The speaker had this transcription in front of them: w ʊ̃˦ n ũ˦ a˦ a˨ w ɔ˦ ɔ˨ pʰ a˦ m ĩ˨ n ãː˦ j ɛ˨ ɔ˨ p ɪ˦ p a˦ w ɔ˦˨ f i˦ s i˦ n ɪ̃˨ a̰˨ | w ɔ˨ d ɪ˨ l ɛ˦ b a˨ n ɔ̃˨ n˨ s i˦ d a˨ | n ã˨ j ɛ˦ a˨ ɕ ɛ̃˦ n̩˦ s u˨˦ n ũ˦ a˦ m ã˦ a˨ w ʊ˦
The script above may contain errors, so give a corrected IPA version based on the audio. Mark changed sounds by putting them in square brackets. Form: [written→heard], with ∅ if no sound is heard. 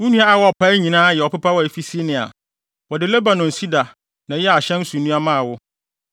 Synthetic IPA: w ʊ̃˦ n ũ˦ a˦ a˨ w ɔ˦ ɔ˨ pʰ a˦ [m→ɲ] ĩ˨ n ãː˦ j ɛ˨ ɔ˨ p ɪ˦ p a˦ w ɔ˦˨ f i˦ s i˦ n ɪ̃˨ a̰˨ | w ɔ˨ d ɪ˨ l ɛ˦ b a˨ n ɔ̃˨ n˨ s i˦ d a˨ | n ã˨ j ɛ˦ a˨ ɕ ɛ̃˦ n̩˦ s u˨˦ n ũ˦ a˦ m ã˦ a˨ w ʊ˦